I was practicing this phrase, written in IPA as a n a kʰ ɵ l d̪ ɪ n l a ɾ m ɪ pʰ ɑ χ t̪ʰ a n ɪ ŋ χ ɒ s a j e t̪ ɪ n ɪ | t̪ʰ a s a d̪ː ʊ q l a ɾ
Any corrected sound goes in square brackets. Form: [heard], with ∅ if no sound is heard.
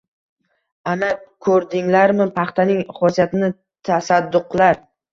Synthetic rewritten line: a n a kʰ ɵ [ɾ] d̪ ɪ [ŋ] l a ɾ m ɪ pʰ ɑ χ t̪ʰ a n ɪ ŋ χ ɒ s [i] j [a] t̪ ɪ n ɪ | t̪ʰ a s a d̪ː ʊ q l a ɾ